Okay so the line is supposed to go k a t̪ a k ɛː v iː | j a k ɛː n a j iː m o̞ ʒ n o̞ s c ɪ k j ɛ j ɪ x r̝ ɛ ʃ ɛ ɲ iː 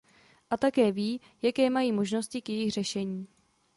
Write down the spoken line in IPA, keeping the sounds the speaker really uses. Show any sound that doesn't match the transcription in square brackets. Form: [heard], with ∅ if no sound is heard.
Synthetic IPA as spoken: [ʔ] a t̪ a k ɛː v iː | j a k ɛː [m] a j iː m o̞ ʒ n o̞ s c ɪ k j ɛ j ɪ x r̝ ɛ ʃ ɛ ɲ iː